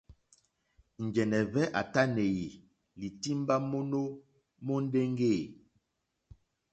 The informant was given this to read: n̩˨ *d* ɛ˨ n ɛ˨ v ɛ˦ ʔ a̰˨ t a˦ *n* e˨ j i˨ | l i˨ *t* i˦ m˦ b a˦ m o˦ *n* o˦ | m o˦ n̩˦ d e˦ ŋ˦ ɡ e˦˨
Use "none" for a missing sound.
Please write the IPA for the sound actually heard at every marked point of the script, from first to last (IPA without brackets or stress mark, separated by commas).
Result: d͡ʒ, n, t, n